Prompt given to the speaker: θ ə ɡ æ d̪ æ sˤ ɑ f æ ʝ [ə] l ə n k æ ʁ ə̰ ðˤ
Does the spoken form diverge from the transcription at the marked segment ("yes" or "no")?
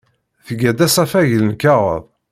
no